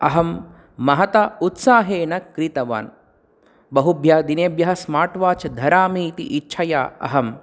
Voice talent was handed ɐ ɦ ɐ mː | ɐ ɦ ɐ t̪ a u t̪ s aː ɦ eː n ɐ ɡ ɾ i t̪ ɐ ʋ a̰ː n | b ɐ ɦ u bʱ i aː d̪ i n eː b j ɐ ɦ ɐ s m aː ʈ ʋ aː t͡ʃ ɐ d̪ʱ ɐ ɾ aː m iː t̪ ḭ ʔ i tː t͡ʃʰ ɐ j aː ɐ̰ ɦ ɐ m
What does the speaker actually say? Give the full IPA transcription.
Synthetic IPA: ɐ ɦ ɐ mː | ɐ ɦ ɐ t̪ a u t̪ s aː ɦ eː n ɐ k ɾ i t̪ ɐ ʋ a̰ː n | b ɐ ɦ u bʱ j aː d̪ i n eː b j ɐ ɦ ɐ s m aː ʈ ʋ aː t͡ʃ ɐ d̪ʱ ɐ ɾ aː m iː t̪ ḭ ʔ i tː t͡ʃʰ ɐ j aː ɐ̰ ɦ ɐ m